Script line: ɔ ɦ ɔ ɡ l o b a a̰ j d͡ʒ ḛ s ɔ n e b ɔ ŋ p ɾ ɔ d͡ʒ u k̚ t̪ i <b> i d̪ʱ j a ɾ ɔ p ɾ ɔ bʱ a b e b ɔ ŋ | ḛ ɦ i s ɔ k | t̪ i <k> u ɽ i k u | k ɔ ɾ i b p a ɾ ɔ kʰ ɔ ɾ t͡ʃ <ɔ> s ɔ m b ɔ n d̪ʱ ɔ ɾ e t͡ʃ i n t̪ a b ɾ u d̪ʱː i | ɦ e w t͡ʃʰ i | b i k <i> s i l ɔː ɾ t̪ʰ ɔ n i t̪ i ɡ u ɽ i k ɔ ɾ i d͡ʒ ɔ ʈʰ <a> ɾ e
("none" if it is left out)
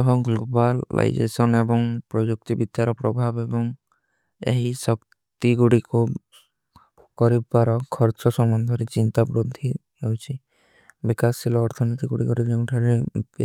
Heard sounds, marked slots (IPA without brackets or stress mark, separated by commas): b, ɡ, ɔ, a, a